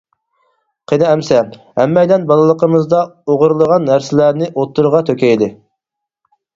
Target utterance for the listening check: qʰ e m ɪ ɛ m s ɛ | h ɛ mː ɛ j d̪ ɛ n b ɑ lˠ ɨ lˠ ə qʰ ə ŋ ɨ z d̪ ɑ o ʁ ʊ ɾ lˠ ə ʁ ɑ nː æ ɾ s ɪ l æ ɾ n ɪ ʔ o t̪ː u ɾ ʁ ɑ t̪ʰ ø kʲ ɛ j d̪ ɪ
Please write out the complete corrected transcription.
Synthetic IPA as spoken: qʰ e n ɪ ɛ m s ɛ | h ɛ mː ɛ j d̪ ɛ n b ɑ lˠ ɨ lˠ ə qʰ ə m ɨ z d̪ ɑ o ʁ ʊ ɾ lˠ ə ʁ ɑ nː æ ɾ s ɪ l æ ɾ n ɪ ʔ o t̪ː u ɾ ʁ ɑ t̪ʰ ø kʲ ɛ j d̪ ɪ

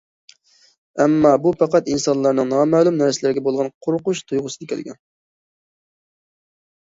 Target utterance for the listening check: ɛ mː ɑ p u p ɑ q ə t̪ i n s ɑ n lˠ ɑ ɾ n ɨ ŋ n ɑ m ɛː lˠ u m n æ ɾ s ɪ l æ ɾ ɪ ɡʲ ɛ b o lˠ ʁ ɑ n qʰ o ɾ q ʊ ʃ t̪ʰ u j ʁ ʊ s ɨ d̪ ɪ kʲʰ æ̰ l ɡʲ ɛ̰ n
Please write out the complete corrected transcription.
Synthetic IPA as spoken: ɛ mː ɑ b u p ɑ q ɑ t̪ i n s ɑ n lˠ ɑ ɾ n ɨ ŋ n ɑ m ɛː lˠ u m n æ ɾ s ɪ l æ ɾ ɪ ɡʲ ɛ b o lˠ ʁ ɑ n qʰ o ɾ q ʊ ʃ t̪ʰ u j ʁ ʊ s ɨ d̪ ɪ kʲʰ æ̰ l ɡʲ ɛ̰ n

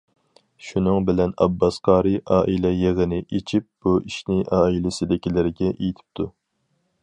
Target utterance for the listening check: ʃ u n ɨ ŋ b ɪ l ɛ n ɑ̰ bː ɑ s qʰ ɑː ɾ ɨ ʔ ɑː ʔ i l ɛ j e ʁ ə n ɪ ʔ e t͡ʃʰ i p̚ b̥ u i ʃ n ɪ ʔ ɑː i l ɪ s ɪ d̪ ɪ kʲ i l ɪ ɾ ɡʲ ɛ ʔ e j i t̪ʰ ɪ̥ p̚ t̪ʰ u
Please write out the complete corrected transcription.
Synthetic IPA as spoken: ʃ u n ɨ ŋ b ɪ l ɛ n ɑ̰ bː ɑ s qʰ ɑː ɾ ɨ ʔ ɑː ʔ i l ɛ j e ʁ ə n ɪ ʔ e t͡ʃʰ i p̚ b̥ u i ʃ n ɪ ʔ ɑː i l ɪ s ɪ d̪ ɪ kʲ i l ɪ ɾ ɡʲ ɛ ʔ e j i t̪ʰ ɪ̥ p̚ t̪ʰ u

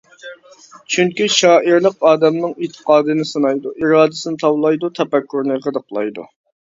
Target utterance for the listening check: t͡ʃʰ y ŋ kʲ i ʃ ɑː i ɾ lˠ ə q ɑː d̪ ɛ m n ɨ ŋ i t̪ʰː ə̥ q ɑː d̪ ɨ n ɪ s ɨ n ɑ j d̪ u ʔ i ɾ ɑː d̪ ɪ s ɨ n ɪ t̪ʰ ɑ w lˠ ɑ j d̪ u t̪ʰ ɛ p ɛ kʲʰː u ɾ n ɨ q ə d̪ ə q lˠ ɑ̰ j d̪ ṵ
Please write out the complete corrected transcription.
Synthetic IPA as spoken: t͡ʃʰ y ŋ kʲ i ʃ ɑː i ɾ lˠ ə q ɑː d̪ ɛ m n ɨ ŋ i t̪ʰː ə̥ q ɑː d̪ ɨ n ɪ s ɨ n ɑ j d̪ u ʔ i ɾ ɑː d̪ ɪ s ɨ n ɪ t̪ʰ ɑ w lˠ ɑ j d̪ u t̪ʰ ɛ p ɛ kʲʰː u ɾ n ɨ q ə d̪ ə q lˠ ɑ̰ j d̪ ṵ

